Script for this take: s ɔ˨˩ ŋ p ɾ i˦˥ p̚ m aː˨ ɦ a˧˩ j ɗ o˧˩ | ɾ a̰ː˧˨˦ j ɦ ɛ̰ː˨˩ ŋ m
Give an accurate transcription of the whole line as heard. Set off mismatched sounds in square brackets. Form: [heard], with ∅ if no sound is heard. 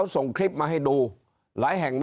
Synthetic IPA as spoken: s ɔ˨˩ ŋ [k] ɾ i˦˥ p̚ m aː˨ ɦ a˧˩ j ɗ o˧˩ | [l] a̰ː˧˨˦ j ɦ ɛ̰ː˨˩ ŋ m